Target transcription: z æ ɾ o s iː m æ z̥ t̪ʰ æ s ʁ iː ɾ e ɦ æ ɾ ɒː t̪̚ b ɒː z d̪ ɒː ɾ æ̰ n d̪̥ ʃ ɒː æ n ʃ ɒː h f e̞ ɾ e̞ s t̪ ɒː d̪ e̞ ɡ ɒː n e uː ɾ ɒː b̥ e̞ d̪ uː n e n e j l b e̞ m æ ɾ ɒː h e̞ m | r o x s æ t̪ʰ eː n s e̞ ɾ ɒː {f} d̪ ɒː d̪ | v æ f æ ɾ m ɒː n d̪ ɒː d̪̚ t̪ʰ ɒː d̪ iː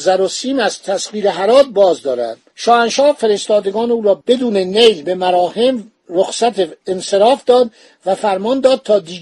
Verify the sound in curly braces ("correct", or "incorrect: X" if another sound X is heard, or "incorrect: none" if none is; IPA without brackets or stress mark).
correct